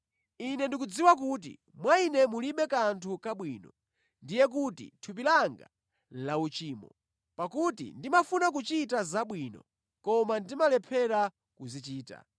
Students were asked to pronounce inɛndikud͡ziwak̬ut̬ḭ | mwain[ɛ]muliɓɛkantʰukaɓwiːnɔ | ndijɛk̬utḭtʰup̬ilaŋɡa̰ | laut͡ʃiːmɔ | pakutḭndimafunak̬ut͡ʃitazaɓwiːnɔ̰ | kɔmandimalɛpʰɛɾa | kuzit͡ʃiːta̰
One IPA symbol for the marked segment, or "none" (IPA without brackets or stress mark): ɛ